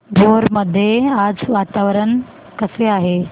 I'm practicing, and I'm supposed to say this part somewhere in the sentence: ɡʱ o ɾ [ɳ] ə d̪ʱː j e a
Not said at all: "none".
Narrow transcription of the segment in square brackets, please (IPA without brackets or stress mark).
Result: m